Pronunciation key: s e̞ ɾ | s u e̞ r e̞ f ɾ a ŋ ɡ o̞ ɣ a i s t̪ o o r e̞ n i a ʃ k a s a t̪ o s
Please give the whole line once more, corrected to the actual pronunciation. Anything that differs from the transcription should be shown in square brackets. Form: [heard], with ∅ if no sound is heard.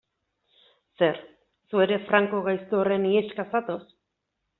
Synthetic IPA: s e̞ ɾ | s u e̞ [ɾ] e̞ f ɾ a ŋ [k] o̞ ɣ a [j] s t̪ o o r e̞ n i [e] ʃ k a s a t̪ o s

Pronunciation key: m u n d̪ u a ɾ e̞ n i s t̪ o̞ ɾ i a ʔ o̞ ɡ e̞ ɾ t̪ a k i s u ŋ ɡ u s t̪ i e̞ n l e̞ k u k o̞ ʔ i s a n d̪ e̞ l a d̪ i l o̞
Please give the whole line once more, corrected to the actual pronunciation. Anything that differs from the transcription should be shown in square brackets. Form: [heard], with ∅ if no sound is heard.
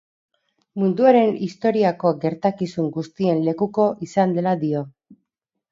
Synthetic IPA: m u n d̪ u a ɾ e̞ n i s t̪ o̞ ɾ i a [k] o̞ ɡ e̞ ɾ t̪ a k i s u ŋ ɡ u s t̪ i e̞ n l e̞ k u k o̞ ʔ i s a n d̪ e̞ l a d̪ i [∅] o̞

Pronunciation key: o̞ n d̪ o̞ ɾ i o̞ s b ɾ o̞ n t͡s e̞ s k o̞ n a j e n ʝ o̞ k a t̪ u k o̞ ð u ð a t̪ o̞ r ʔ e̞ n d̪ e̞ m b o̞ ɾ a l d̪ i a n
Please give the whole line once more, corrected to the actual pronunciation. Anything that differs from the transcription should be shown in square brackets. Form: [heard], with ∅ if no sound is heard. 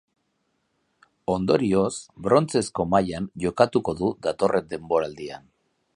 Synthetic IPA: o̞ n d̪ o̞ ɾ i o̞ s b ɾ o̞ n t͡s e̞ s k o̞ [m] a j [a] n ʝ o̞ k a t̪ u k o̞ ð u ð a t̪ o̞ r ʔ e̞ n d̪ e̞ m b o̞ ɾ a l d̪ i a n

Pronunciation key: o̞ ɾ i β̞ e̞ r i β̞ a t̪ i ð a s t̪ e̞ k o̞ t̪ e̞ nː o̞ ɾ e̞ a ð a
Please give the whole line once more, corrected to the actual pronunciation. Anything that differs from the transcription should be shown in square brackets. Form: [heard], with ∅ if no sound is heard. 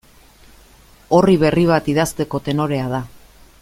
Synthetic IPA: o̞ [r] i β̞ e̞ r i β̞ a t̪ i ð a s t̪ e̞ k o̞ t̪ e̞ [n] o̞ ɾ e̞ a ð a

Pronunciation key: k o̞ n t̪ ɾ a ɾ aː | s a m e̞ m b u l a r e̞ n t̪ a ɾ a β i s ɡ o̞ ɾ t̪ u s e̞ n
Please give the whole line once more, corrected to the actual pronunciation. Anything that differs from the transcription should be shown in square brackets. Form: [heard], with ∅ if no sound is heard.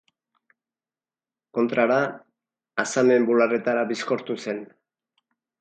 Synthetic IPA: k o̞ n t̪ ɾ a ɾ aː | s a m e̞ m b u l a r e̞ [∅] t̪ a ɾ a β i s [k] o̞ ɾ t̪ u s e̞ n

